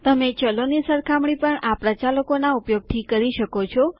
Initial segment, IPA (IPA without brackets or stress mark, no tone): t̪